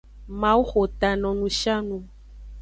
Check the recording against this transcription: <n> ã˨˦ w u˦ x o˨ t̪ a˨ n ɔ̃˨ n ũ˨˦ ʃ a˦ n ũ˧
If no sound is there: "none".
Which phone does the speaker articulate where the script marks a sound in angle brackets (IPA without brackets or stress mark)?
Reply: m